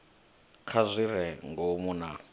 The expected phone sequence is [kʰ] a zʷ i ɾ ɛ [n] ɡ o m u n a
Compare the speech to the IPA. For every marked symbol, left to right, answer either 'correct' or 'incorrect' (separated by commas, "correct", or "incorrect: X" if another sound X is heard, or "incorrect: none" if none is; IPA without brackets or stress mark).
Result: correct, incorrect: ŋ